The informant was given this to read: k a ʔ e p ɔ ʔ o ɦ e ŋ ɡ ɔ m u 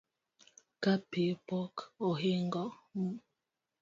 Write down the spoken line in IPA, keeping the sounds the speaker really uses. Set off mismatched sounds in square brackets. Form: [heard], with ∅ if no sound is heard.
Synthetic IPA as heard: k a [p] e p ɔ [k] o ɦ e ŋ ɡ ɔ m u